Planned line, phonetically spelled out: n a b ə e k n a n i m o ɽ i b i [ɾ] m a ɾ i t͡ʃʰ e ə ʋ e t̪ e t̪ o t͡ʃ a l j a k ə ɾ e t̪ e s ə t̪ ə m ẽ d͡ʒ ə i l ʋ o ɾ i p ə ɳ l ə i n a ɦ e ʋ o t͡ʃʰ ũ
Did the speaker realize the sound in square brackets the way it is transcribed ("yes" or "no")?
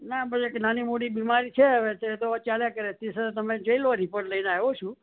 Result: no